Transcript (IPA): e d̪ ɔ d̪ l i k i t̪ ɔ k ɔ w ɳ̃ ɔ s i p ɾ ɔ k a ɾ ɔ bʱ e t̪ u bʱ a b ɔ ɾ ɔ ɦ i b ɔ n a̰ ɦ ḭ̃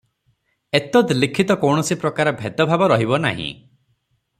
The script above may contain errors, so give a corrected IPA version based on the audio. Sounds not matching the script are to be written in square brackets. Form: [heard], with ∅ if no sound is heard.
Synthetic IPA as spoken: e [t̪] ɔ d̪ l i [kʰ] i t̪ ɔ k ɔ w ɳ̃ ɔ s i p ɾ ɔ k a ɾ ɔ bʱ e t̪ [ɔ] bʱ a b ɔ ɾ ɔ ɦ i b ɔ n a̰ ɦ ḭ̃